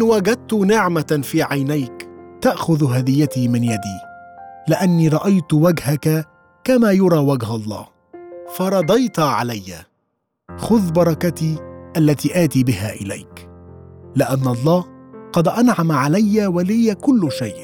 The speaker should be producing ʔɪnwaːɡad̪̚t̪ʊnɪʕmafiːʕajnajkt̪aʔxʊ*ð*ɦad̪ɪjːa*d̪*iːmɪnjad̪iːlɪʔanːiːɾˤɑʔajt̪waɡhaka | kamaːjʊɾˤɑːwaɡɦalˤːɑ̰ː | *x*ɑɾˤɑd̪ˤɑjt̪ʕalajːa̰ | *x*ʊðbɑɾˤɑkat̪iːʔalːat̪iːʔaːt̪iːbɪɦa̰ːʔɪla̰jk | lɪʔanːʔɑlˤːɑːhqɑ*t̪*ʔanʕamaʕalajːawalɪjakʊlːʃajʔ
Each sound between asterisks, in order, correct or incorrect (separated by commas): correct, incorrect, incorrect, correct, incorrect